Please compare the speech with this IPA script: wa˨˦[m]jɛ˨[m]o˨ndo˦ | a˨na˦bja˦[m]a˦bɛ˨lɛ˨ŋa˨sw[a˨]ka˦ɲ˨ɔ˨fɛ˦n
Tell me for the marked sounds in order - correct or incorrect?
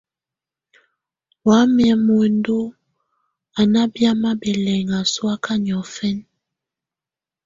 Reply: correct, correct, correct, incorrect: a˦

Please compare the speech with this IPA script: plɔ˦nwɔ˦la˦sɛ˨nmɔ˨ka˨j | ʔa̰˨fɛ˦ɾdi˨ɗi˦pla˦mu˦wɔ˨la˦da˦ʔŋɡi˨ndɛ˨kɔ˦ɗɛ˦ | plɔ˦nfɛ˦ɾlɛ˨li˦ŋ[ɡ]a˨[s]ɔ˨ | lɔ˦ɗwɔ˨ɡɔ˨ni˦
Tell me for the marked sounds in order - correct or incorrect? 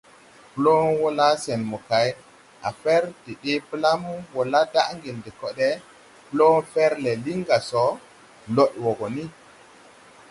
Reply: correct, correct

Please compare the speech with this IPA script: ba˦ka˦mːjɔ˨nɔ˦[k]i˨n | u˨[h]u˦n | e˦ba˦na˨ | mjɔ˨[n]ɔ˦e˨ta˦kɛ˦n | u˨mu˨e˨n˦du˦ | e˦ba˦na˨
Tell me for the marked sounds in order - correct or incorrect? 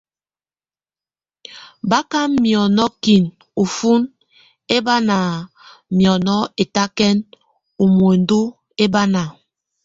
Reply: correct, incorrect: f, correct

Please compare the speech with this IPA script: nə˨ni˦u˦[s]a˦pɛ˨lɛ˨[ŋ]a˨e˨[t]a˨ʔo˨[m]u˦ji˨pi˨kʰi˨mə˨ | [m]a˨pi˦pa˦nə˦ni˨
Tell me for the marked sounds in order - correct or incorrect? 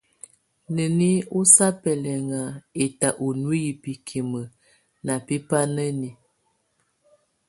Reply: correct, correct, correct, incorrect: n, incorrect: n

